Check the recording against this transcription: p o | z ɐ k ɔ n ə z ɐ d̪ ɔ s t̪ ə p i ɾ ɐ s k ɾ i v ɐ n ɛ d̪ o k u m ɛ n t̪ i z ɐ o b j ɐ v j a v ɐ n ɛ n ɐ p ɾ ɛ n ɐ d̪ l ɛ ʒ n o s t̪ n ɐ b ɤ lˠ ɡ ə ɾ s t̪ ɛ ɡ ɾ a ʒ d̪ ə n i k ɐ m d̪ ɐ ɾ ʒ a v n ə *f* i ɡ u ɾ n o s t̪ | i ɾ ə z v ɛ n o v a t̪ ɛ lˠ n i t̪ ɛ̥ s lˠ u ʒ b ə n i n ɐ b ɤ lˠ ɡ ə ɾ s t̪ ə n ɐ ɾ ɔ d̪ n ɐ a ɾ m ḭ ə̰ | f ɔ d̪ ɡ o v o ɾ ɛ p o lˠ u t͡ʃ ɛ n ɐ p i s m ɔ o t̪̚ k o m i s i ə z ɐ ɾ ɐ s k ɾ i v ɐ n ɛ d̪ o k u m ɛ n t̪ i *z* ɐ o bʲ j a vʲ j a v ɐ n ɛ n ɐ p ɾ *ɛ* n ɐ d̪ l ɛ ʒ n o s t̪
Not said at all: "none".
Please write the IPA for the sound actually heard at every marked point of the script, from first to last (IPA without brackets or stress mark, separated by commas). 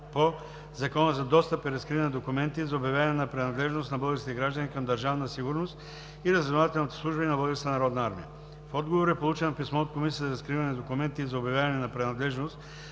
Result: s, z, ɛ